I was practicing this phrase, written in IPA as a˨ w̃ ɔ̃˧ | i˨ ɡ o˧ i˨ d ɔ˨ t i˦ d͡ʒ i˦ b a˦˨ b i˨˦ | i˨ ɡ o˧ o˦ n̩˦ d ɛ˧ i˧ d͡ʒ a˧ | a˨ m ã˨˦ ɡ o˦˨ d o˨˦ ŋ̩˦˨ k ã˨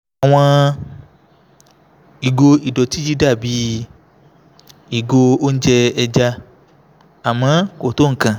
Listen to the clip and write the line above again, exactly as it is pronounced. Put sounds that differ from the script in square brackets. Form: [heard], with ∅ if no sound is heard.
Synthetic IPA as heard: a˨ w̃ ɔ̃˧ | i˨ ɡ o˧ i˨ d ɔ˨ t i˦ d͡ʒ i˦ [d] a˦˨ b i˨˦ | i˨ ɡ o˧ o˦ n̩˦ [d͡ʒ] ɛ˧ [ɛ˧] d͡ʒ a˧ | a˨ m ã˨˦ [k] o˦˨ [t] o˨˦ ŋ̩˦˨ k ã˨

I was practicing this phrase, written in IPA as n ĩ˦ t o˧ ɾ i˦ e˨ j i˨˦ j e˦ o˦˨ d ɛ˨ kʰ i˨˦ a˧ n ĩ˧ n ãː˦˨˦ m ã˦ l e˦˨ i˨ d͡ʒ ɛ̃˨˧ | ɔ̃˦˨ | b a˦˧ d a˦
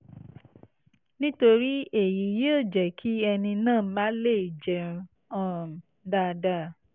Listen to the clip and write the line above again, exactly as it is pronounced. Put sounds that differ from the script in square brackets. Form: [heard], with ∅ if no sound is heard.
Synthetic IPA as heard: n ĩ˦ t o˧ ɾ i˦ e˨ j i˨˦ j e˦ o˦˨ [d͡ʒ] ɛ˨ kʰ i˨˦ [ɛ˧] n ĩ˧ n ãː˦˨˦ m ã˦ l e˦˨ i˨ d͡ʒ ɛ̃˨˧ | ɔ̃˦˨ | [d] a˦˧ d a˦

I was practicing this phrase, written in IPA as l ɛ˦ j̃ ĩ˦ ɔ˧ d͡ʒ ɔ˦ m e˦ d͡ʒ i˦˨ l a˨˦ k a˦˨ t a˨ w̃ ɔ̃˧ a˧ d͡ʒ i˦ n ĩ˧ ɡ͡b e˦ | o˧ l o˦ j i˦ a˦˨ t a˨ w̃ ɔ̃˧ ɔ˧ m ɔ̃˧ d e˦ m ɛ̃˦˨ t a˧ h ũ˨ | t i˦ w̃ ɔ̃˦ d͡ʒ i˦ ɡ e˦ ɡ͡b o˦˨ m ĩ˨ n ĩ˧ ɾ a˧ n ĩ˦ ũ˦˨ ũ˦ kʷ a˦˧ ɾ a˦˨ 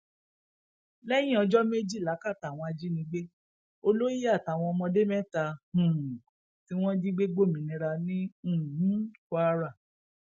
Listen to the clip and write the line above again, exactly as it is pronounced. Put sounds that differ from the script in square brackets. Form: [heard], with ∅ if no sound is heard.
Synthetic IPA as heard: l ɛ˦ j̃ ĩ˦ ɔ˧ d͡ʒ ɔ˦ m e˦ d͡ʒ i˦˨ l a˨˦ k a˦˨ t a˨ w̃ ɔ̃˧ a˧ d͡ʒ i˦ n ĩ˧ ɡ͡b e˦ | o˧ l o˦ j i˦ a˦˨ t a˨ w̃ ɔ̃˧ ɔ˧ m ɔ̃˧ d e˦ m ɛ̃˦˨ t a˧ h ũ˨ | t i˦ w̃ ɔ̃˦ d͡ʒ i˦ [ɡ͡b] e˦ ɡ͡b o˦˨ m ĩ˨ n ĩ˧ ɾ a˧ n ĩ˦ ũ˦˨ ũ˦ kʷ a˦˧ ɾ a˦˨

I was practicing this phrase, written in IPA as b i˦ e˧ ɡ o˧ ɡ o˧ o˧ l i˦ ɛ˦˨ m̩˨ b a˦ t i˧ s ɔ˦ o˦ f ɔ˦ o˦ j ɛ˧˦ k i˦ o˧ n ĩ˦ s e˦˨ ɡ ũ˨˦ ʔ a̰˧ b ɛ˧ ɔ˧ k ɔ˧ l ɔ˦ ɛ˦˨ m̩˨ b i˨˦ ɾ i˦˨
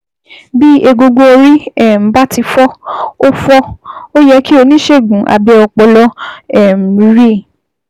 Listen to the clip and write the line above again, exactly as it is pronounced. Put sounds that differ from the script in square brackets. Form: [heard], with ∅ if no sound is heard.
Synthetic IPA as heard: b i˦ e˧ ɡ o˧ ɡ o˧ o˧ [ɾ] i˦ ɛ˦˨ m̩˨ b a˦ t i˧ [f] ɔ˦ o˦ f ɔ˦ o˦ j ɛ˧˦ k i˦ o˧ n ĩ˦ [ʃ] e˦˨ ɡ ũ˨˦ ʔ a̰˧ b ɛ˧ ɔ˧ [k͡p] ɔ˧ l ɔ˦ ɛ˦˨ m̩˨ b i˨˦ ɾ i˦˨

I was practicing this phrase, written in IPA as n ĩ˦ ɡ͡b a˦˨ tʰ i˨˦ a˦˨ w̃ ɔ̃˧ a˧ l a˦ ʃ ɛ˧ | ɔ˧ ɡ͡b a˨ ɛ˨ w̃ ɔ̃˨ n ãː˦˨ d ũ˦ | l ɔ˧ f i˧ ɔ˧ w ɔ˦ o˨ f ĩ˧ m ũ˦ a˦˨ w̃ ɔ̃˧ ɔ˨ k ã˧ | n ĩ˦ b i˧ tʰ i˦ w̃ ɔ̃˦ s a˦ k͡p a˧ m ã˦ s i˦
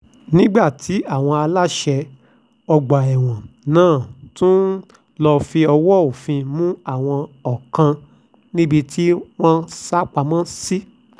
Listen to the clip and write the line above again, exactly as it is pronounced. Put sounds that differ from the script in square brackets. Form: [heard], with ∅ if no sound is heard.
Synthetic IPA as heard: n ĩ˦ ɡ͡b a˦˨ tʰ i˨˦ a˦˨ w̃ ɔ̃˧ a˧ l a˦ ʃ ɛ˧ | ɔ˧ ɡ͡b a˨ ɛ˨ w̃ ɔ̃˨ n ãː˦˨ [t] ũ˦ | l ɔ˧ f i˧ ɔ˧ w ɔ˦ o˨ f ĩ˧ m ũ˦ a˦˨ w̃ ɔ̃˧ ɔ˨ k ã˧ | n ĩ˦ b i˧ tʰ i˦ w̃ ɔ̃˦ s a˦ k͡p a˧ m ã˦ s i˦

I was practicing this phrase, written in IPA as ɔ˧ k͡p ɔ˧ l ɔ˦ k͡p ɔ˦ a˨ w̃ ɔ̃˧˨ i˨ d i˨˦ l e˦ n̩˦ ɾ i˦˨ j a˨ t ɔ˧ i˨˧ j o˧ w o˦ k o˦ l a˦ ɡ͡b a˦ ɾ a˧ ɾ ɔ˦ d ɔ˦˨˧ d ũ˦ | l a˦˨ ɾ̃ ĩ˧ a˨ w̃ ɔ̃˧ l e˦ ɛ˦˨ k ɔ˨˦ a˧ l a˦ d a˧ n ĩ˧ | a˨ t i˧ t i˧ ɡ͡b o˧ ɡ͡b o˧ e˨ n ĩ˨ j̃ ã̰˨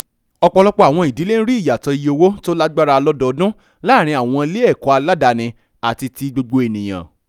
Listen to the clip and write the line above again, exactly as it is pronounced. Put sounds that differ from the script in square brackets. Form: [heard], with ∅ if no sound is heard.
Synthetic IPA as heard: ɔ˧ k͡p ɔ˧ l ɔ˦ k͡p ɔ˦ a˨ w̃ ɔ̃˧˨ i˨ d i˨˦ l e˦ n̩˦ ɾ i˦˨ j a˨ t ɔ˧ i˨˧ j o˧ w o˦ [t] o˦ l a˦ ɡ͡b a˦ ɾ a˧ [l] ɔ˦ d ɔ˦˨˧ d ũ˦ | l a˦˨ ɾ̃ ĩ˧ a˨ w̃ ɔ̃˧ l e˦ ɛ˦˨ k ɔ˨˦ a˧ l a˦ d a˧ n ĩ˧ | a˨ t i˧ t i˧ ɡ͡b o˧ ɡ͡b o˧ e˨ n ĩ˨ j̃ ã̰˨

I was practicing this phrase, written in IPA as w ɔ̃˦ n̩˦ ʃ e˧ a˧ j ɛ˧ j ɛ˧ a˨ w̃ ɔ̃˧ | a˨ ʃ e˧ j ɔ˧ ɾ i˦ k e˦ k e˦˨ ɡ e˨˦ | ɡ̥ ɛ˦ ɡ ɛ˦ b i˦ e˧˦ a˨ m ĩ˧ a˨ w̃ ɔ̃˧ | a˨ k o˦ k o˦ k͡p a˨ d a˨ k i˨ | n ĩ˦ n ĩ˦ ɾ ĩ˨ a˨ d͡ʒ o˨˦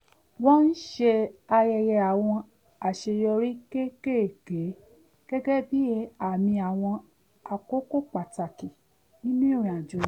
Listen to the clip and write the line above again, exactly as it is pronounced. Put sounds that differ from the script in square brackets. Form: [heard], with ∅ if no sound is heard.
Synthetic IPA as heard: w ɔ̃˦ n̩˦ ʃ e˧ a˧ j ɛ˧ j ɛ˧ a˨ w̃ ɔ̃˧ | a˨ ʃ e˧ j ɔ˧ ɾ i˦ k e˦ k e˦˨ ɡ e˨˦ | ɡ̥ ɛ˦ ɡ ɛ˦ b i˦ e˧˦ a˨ m ĩ˧ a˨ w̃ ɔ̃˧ | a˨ k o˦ k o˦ k͡p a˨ [t] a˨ k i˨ | n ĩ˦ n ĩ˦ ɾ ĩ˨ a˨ d͡ʒ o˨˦

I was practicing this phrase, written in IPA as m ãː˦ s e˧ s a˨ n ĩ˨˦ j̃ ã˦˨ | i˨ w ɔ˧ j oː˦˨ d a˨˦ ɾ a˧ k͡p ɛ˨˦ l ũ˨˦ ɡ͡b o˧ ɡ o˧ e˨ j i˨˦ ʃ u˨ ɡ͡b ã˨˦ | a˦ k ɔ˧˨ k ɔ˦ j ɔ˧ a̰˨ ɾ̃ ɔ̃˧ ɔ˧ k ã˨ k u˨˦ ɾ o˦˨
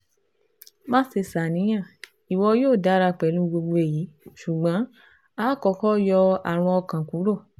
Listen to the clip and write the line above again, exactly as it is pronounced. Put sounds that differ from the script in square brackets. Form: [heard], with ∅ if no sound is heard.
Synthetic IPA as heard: m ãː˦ s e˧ s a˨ n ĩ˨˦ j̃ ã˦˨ | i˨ w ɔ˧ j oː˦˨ d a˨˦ ɾ a˧ k͡p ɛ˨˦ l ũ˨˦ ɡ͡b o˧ [ɡ͡b] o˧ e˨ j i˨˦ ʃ u˨ ɡ͡b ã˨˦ | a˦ k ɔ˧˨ k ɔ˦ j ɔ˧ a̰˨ ɾ̃ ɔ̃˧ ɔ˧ k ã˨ k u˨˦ ɾ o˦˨

